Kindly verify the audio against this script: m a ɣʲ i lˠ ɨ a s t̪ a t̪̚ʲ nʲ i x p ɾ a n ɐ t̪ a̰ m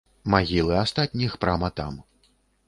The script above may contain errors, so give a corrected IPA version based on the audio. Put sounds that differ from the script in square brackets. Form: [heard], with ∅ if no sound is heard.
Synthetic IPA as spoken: m a ɣʲ i lˠ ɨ a s t̪ a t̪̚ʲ nʲ i x p ɾ a [m] ɐ t̪ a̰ m